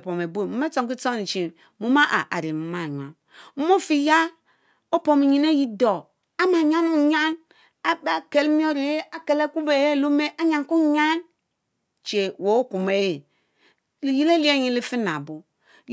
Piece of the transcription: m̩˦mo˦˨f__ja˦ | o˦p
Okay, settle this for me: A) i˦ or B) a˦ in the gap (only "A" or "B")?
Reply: A